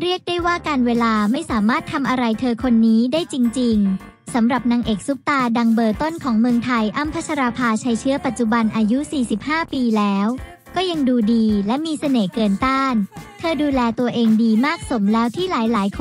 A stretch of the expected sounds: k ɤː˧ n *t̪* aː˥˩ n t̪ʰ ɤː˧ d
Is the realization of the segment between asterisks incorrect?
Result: no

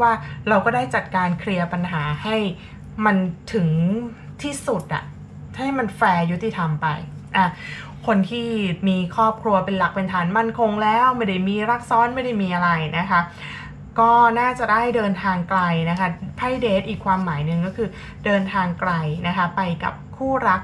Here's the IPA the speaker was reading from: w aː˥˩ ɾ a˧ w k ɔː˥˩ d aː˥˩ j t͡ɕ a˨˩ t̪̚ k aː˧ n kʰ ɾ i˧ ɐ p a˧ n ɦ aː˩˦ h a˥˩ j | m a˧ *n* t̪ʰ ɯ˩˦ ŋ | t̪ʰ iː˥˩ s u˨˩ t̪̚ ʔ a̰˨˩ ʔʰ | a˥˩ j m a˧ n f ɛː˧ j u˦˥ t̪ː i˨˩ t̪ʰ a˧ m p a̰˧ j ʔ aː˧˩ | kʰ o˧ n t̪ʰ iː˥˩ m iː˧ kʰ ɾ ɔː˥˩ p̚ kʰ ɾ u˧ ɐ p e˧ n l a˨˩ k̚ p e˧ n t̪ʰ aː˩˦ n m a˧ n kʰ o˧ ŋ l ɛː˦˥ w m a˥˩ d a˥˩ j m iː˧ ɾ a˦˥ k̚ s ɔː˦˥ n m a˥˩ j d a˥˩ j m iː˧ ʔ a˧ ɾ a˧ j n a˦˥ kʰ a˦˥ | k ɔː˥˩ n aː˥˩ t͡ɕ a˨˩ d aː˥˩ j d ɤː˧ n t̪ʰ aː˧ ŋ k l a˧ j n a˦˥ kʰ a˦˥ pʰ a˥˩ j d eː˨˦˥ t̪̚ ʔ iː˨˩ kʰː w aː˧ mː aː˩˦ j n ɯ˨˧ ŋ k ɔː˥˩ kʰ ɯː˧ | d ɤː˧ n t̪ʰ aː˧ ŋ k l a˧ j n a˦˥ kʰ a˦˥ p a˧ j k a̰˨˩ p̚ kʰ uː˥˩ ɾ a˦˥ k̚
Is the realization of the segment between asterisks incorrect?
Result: no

